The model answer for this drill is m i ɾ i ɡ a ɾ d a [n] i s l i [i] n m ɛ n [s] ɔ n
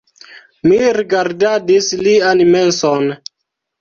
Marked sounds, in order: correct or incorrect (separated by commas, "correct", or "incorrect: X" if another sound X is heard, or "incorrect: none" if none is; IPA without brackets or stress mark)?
incorrect: d, incorrect: a, correct